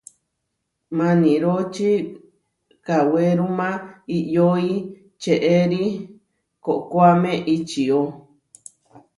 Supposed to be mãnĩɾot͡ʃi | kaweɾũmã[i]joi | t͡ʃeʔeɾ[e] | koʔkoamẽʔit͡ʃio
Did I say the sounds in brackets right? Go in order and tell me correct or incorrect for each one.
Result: correct, incorrect: i

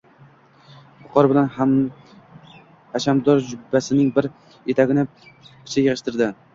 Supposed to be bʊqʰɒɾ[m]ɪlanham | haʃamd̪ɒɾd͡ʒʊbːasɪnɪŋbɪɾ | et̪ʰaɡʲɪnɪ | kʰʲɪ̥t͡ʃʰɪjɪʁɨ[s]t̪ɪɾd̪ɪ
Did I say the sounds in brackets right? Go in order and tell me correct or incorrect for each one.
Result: incorrect: b, incorrect: ʃ

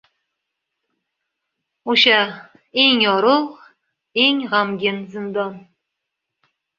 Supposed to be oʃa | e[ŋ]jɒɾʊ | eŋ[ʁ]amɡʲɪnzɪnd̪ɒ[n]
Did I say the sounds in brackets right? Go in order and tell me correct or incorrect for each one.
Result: correct, correct, correct

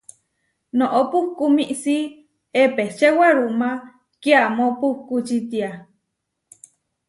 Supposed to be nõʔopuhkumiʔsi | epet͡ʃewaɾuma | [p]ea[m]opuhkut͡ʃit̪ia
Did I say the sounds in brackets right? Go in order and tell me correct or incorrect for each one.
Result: incorrect: k, correct

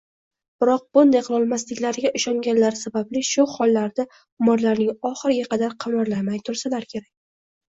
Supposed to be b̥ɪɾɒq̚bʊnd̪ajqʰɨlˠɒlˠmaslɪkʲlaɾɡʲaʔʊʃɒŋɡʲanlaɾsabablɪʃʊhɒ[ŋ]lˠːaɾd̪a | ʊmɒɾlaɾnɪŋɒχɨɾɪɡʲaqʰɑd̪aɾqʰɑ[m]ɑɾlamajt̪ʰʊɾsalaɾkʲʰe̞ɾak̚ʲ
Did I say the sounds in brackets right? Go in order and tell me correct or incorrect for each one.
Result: incorrect: none, correct

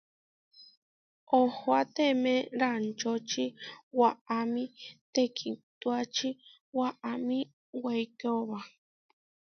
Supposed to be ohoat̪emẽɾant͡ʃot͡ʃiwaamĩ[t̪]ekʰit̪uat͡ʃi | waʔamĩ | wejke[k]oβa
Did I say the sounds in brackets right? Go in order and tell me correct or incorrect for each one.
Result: correct, incorrect: none

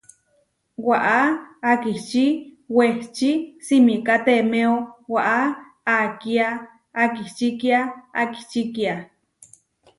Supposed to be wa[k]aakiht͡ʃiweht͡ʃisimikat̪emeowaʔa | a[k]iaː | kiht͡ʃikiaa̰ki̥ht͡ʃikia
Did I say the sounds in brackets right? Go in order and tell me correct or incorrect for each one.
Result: incorrect: ʔ, correct

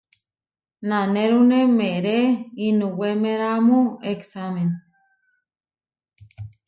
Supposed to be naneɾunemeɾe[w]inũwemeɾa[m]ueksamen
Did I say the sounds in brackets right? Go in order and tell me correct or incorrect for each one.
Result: incorrect: none, correct

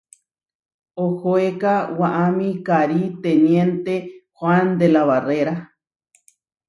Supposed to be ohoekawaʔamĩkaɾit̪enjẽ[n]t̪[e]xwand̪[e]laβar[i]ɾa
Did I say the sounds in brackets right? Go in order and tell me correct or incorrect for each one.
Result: correct, correct, correct, incorrect: e

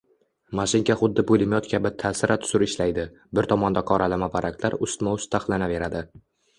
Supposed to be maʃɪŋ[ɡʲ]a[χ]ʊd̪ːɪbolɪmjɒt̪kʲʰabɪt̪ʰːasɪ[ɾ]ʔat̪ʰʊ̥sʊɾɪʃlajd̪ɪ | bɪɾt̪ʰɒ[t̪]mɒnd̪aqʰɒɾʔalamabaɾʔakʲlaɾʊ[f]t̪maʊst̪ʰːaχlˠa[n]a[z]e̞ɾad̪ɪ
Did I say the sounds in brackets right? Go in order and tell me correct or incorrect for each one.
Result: incorrect: kʲ, correct, correct, incorrect: none, incorrect: s, correct, incorrect: v

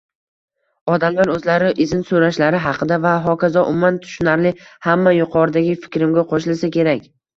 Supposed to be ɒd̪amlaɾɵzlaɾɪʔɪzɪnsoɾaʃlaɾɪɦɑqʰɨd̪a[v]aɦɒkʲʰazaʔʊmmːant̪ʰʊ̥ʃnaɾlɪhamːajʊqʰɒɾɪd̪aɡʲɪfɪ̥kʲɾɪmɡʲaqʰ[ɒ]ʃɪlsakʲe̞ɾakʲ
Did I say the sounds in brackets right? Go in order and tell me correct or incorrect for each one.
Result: correct, incorrect: o

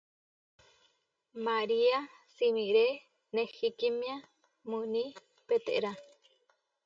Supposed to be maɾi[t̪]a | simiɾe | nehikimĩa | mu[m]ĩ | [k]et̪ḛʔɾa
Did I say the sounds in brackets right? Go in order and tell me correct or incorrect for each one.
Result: incorrect: none, incorrect: n, incorrect: p

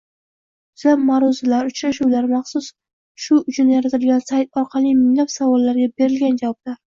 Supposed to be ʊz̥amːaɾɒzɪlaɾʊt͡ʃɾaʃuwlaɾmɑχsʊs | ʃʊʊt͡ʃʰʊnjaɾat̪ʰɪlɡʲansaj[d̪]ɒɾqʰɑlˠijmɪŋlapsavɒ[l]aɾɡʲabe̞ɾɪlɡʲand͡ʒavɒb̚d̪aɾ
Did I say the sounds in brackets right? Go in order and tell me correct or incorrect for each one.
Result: incorrect: t̪, incorrect: lː

